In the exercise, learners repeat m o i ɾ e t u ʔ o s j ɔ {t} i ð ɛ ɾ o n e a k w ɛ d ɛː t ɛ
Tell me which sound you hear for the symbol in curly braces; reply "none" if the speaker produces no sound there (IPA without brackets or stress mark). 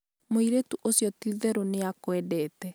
t